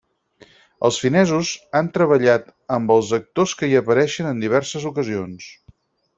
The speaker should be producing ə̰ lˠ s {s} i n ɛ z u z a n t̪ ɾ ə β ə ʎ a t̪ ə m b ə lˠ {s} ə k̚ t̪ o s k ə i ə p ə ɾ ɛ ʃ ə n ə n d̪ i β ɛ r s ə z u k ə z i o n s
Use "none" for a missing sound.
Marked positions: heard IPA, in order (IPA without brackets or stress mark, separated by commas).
f, z